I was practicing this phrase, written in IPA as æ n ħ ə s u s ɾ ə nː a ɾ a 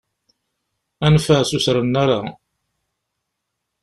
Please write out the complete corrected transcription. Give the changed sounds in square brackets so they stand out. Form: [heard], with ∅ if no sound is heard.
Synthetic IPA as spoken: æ n [f] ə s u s ɾ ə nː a ɾ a